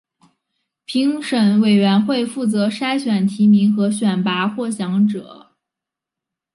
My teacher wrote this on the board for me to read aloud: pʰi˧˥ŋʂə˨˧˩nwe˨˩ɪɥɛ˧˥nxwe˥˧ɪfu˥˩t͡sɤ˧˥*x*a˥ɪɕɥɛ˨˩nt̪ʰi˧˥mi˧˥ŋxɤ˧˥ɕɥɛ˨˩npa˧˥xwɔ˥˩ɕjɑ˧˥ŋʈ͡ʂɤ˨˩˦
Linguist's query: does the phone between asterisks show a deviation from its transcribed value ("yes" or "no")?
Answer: yes